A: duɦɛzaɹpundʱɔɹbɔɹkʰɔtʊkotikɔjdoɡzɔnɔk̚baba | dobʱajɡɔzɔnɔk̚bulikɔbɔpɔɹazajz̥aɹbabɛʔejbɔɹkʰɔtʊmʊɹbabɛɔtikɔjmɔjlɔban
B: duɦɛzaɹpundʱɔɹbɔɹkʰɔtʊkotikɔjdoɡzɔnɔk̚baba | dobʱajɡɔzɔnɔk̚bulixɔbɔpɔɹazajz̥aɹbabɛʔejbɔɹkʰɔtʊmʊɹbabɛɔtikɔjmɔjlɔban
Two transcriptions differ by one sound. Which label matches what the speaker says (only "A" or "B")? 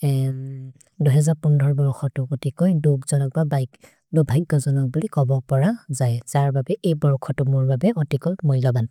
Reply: A